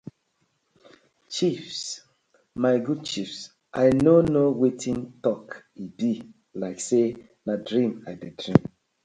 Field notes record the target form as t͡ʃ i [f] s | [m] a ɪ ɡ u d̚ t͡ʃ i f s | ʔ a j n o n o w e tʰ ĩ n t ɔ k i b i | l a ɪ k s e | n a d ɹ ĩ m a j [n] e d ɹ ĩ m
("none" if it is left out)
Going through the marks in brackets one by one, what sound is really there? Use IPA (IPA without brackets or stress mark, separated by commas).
f, m, d